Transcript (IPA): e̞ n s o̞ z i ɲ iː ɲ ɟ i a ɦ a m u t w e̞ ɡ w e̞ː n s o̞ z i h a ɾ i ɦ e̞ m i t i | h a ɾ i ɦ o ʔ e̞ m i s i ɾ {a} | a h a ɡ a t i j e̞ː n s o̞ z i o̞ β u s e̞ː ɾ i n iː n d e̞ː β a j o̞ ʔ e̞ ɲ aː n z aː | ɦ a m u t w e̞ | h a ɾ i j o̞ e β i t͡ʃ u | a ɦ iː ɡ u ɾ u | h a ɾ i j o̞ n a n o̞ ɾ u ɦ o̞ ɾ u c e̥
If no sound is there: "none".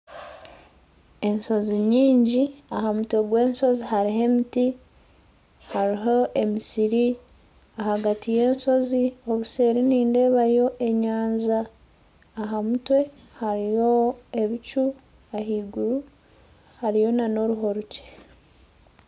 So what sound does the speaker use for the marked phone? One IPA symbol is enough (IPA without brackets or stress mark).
i